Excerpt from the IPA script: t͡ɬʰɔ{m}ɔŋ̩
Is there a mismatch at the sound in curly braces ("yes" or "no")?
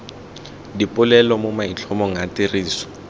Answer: no